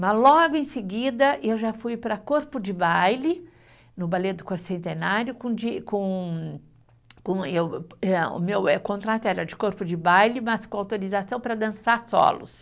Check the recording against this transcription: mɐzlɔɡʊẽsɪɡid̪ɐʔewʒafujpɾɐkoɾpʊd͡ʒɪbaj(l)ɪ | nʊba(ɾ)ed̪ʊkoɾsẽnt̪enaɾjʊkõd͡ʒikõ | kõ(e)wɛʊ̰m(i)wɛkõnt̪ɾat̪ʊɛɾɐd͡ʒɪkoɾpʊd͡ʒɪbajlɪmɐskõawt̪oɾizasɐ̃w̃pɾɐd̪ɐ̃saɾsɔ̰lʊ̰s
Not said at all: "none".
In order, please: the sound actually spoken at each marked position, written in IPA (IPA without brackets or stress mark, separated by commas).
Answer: l, l, e, e